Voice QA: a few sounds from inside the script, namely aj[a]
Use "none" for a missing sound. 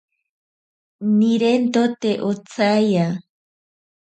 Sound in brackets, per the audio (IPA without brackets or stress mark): a